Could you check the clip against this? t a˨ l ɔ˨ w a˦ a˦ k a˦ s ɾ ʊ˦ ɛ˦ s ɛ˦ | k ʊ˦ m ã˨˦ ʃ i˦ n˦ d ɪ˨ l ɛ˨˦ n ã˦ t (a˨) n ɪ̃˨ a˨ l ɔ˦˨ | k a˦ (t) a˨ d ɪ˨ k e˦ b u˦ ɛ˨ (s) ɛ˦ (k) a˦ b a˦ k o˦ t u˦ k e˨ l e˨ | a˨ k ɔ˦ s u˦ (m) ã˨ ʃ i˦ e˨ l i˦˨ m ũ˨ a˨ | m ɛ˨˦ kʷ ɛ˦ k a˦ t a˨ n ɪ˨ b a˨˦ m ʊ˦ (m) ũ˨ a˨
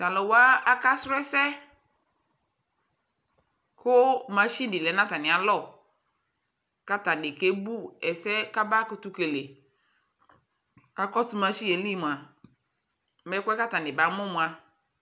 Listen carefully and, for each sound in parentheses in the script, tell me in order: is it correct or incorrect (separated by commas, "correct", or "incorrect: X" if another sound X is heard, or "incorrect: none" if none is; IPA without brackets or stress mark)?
correct, correct, correct, correct, correct, correct